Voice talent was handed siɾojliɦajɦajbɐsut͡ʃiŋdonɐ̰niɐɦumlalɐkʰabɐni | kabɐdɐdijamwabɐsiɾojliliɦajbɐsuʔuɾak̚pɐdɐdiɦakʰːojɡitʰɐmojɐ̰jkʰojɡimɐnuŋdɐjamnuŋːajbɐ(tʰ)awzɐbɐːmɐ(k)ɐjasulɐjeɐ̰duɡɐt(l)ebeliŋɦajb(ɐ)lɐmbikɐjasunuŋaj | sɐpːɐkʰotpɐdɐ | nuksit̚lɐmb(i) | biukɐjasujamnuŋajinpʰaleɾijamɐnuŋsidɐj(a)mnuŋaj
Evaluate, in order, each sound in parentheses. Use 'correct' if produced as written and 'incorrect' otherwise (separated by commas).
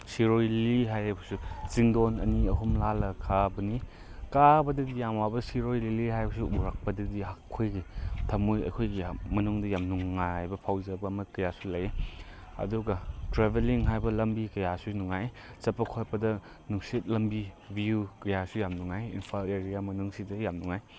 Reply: incorrect, correct, incorrect, correct, correct, correct